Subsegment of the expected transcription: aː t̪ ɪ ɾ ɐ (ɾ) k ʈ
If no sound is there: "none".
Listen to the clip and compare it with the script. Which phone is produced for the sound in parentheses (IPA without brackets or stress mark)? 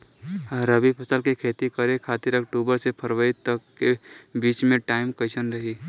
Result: none